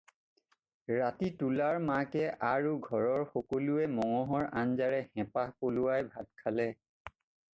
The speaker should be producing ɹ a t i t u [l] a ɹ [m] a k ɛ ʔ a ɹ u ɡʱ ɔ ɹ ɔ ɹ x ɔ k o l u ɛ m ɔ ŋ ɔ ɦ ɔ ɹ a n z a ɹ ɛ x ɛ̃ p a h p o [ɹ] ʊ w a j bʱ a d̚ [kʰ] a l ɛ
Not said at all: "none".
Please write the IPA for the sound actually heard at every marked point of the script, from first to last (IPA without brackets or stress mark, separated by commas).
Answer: l, m, l, kʰ